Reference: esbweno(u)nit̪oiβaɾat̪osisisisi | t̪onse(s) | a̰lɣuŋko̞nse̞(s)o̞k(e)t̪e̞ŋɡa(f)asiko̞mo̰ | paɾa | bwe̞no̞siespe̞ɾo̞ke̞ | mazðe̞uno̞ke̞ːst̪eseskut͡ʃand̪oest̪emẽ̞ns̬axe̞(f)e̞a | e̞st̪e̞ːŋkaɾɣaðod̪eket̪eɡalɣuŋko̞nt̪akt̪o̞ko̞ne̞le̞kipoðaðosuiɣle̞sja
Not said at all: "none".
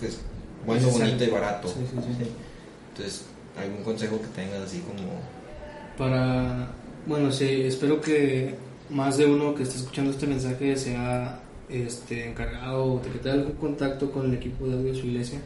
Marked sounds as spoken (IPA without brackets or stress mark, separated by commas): o, s, x, e, s, s